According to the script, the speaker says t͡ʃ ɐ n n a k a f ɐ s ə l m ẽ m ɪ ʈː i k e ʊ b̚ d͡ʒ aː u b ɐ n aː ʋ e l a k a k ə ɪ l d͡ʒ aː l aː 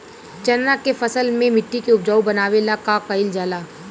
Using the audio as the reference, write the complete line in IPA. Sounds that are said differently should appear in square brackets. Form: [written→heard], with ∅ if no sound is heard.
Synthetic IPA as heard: t͡ʃ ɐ n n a k [a→e] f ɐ s ə l m ẽ m ɪ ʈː i k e ʊ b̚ d͡ʒ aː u b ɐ n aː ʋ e l a k a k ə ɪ l d͡ʒ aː l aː